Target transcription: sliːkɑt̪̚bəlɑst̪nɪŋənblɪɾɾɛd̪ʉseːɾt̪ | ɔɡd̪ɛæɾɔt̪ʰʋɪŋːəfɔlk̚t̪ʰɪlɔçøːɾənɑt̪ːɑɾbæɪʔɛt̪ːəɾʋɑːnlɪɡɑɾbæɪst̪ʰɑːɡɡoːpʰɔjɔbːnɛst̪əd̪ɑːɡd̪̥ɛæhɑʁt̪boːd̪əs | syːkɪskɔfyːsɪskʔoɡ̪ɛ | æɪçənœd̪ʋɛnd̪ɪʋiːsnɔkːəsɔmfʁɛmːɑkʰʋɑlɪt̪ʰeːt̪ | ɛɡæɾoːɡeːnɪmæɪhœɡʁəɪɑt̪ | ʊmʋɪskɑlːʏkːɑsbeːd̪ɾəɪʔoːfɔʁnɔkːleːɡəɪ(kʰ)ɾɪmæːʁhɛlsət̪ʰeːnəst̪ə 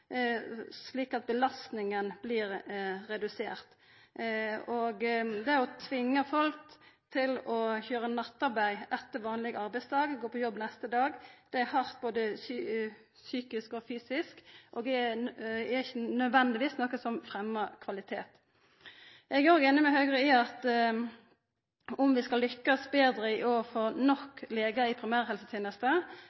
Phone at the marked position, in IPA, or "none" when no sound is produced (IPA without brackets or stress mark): pʰ